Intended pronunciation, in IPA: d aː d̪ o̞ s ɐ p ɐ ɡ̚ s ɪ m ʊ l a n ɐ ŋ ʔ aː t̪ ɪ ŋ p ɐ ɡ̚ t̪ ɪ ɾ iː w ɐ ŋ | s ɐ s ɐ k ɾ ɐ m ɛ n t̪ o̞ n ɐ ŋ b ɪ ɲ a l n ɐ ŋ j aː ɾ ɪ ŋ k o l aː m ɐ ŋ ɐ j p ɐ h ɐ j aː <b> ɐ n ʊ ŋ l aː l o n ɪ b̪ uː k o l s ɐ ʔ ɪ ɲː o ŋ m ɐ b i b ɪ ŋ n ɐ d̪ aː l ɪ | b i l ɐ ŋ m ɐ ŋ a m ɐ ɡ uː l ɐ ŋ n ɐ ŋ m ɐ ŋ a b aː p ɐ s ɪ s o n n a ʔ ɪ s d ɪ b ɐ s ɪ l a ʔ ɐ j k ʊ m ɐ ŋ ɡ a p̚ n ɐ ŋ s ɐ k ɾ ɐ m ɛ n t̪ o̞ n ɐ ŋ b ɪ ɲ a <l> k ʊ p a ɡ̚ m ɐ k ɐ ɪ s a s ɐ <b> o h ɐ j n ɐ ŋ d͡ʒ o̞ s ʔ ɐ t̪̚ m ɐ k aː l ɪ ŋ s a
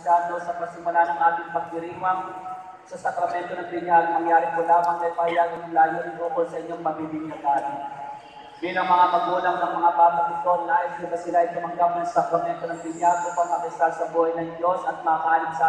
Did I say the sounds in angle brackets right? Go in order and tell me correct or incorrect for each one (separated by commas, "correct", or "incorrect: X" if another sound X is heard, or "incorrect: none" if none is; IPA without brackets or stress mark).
incorrect: ɡ, correct, correct